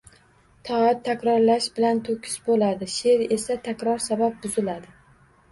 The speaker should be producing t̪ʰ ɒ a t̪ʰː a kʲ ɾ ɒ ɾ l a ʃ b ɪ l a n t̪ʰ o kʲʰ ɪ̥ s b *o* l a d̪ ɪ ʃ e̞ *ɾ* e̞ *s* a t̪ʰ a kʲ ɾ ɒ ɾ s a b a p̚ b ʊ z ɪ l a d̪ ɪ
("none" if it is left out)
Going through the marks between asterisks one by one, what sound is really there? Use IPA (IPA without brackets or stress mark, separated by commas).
o, ɾ, s